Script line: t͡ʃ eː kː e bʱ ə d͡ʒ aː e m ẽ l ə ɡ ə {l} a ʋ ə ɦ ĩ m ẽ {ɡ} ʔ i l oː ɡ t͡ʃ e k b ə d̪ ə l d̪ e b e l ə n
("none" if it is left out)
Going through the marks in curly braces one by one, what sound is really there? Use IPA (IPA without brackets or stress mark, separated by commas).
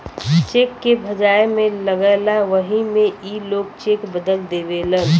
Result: l, none